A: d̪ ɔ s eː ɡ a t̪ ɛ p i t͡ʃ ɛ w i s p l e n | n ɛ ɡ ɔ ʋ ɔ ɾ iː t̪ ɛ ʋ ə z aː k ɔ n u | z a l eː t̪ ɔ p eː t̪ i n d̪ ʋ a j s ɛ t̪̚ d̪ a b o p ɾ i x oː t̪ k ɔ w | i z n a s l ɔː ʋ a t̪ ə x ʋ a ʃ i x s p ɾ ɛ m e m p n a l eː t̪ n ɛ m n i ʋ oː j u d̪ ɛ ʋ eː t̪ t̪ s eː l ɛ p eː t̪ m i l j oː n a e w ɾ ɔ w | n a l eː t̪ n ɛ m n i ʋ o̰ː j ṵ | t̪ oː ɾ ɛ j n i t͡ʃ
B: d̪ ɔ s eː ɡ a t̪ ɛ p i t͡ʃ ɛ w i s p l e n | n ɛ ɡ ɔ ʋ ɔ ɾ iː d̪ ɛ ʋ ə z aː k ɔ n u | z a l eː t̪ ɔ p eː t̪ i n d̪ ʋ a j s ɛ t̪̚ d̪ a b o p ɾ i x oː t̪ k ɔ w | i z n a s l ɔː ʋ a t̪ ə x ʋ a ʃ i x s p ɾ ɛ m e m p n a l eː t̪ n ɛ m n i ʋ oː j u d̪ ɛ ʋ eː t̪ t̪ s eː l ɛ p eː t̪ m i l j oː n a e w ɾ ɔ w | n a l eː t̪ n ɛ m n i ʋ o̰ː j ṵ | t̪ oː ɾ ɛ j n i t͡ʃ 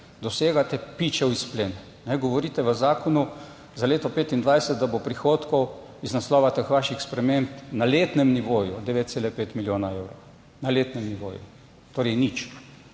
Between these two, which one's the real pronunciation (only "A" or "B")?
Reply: A